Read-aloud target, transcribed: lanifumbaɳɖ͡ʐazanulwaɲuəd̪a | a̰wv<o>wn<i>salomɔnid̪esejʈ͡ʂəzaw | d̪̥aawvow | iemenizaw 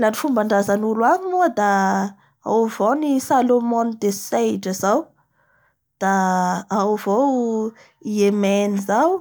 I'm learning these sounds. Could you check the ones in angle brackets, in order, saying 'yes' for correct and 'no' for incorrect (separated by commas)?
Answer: yes, yes